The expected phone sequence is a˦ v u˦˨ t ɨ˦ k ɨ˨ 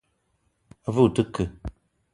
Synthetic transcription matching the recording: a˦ v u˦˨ t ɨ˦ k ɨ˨